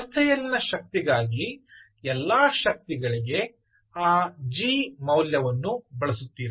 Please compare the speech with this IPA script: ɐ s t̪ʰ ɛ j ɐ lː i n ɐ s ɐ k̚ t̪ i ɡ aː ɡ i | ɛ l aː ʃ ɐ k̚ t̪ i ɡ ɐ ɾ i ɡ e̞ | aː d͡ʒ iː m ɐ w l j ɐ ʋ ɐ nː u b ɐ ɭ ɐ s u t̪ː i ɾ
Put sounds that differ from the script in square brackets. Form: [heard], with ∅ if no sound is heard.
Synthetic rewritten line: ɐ s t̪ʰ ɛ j ɐ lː i n ɐ [ʃ] ɐ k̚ t̪ i ɡ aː ɡ i | ɛ [lː] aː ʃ ɐ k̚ t̪ i ɡ ɐ [ɭ] i ɡ e̞ | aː d͡ʒ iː m ɐ w l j ɐ ʋ ɐ nː u b ɐ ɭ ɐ s u t̪ː [iː] ɾ

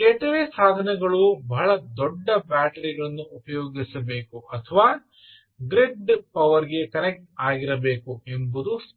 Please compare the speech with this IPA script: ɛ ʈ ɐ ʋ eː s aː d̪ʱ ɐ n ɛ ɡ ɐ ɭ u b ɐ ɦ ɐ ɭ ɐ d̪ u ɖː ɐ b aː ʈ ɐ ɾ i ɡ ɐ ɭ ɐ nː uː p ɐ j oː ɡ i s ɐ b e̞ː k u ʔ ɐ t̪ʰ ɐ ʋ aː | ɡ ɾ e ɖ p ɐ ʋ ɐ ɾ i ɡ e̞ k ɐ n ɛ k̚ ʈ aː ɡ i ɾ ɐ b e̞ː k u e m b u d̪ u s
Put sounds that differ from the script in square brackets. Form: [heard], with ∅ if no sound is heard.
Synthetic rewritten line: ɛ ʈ ɐ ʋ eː s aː d̪ʱ ɐ n ɛ ɡ ɐ ɭ u b ɐ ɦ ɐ ɭ ɐ d̪ [ɔ] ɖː ɐ b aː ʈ ɐ ɾ i ɡ ɐ ɭ ɐ nː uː p ɐ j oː ɡ i s ɐ b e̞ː k u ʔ ɐ t̪ʰ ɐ ʋ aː | ɡ ɾ e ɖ p ɐ ʋ ɐ ɾ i ɡ e̞ k ɐ n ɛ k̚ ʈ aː ɡ i ɾ ɐ b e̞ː k u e m b u d̪ u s

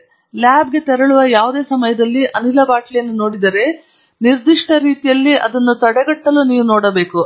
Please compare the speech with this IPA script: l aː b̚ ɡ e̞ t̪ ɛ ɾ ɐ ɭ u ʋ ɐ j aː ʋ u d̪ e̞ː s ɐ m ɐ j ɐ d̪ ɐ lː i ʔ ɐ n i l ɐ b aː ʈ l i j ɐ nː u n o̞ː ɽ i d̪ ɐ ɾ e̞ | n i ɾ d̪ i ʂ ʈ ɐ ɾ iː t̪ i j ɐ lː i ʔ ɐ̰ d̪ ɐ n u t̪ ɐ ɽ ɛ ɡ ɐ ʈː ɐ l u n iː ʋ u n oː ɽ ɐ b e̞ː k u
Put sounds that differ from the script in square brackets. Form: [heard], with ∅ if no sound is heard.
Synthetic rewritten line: l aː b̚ ɡ e̞ t̪ ɛ ɾ ɐ ɭ u ʋ ɐ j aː ʋ u d̪ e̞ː s ɐ m ɐ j ɐ d̪ ɐ lː i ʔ ɐ n i l ɐ b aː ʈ l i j ɐ nː u n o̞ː ɽ i d̪ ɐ ɾ e̞ | n i ɾ d̪ i ʂ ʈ ɐ ɾ iː t̪ i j ɐ lː i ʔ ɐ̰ d̪ ɐ [nː] u t̪ ɐ ɽ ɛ ɡ ɐ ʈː ɐ l u n iː ʋ u n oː ɽ ɐ b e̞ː k u

